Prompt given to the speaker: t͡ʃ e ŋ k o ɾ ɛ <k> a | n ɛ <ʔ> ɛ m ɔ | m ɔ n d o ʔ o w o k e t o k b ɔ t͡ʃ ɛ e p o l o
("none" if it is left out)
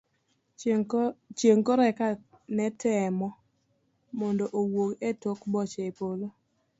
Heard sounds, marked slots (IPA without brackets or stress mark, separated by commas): k, t